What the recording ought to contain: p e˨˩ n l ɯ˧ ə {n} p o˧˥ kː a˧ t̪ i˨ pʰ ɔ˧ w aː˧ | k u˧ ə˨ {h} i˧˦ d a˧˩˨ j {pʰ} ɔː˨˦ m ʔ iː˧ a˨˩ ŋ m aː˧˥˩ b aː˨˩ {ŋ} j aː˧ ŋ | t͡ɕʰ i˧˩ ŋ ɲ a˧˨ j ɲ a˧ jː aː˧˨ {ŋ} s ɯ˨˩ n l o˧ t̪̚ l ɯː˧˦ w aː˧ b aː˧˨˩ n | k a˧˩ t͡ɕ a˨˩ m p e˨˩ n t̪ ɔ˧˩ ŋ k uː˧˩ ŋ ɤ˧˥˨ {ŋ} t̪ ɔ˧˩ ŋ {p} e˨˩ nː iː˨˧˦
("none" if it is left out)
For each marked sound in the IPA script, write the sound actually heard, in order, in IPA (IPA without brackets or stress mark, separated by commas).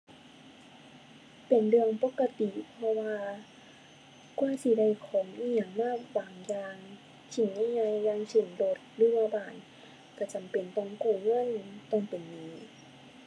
ŋ, s, kʰ, ŋ, ŋ, n, p